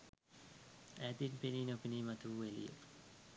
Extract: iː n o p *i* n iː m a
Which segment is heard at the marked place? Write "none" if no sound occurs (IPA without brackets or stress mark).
i